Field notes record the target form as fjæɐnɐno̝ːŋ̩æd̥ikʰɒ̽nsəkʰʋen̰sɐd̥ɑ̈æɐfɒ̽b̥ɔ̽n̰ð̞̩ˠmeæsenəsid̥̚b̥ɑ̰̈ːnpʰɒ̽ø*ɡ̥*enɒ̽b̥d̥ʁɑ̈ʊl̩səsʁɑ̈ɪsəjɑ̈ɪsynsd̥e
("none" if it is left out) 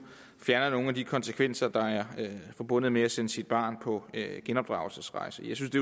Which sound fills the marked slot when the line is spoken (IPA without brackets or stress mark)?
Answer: ɡ̥